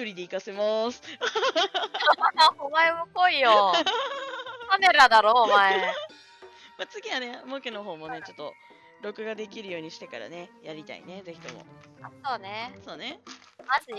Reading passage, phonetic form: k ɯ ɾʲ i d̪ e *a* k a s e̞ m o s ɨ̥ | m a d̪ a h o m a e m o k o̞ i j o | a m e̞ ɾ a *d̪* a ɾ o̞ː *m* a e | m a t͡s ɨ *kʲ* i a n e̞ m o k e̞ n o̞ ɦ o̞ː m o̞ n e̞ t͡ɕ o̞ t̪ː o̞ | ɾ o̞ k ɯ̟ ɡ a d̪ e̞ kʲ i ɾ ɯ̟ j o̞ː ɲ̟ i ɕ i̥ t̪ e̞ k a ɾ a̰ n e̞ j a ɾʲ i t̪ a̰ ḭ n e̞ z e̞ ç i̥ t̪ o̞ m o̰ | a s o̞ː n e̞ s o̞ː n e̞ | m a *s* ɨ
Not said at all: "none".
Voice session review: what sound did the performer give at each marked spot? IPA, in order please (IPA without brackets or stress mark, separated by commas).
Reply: i, d̪, m, ɡʲ, z